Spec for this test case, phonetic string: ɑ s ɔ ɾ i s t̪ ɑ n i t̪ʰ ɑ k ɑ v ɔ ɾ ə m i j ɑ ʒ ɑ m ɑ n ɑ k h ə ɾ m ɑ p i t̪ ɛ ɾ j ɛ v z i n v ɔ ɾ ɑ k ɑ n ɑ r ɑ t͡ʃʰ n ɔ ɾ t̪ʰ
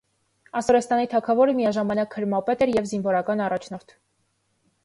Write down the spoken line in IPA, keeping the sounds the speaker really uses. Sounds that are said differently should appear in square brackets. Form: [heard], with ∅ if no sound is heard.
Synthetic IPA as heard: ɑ s ɔ ɾ [ɛ] s t̪ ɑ n i t̪ʰ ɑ [kʰ] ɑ v ɔ ɾ ə m i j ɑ ʒ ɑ m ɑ n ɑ k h ə ɾ m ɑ p [ɛ] t̪ ɛ ɾ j ɛ v z i n v ɔ ɾ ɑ k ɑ n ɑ r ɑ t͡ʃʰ n ɔ ɾ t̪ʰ